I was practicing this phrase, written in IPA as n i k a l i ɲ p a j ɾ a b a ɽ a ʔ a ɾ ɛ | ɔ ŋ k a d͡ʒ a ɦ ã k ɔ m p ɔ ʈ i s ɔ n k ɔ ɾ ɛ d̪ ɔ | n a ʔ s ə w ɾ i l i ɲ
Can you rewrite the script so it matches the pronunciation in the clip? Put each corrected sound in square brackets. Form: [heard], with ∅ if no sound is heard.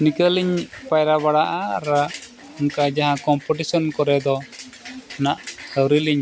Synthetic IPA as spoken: n i k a l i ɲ p a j ɾ a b a ɽ a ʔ a ɾ [a] | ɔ ŋ k a d͡ʒ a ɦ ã k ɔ m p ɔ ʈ i s ɔ n k ɔ ɾ ɛ d̪ ɔ | n a ʔ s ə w ɾ i l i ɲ